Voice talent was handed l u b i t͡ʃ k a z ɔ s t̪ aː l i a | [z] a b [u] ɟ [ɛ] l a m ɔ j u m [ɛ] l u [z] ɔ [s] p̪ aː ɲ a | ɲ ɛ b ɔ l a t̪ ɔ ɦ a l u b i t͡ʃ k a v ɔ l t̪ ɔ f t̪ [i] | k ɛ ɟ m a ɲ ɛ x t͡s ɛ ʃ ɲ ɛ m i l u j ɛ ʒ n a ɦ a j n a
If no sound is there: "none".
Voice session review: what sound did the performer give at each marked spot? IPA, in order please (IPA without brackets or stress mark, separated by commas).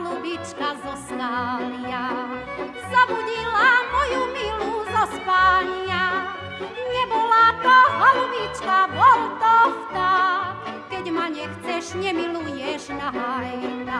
z, u, i, i, z, s, a